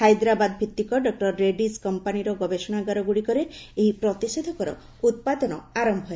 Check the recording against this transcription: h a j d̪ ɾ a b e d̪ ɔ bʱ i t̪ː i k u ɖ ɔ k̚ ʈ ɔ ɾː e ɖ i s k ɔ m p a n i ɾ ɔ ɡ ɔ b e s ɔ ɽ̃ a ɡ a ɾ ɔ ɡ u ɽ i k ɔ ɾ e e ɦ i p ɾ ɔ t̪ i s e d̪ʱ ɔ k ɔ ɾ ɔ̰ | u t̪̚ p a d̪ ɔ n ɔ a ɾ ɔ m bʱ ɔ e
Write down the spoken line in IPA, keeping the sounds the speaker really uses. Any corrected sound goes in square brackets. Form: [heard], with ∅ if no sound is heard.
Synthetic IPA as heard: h a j d̪ ɾ a b [a] d̪ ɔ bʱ i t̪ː i k [ɔ] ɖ ɔ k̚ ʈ ɔ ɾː e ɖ i s k ɔ m p a n i ɾ ɔ ɡ ɔ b e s ɔ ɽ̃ a ɡ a ɾ ɔ ɡ u ɽ i k ɔ ɾ e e ɦ i p ɾ ɔ t̪ i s e d̪ʱ ɔ k ɔ ɾ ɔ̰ | u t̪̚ p a d̪ ɔ n ɔ a ɾ ɔ m bʱ ɔ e